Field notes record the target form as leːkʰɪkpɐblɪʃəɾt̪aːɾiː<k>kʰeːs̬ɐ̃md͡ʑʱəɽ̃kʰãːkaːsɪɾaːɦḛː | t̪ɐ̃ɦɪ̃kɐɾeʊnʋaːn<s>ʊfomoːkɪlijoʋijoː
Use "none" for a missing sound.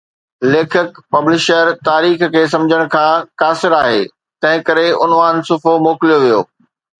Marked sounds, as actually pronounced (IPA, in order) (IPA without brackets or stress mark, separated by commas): x, s